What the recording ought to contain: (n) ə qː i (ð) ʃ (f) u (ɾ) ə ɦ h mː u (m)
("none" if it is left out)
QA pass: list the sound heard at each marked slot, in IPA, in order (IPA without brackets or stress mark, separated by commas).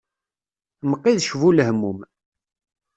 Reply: m, ð, v, l, m